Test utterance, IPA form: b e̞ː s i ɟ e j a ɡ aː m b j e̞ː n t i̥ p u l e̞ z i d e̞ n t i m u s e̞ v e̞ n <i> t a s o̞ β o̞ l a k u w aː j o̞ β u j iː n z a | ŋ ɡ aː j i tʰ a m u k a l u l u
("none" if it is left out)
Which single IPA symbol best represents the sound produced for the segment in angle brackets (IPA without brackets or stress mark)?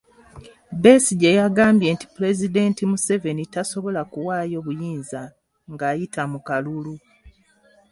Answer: i